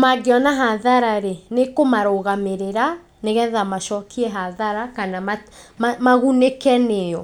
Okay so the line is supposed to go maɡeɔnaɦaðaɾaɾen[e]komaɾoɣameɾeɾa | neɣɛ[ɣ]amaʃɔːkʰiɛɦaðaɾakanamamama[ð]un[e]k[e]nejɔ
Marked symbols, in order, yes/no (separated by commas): yes, no, no, yes, no